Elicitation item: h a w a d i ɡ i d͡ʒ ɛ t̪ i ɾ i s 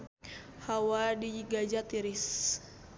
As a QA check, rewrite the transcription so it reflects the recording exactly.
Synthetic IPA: h a w a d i ɡ a d͡ʒ a t̪ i ɾ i s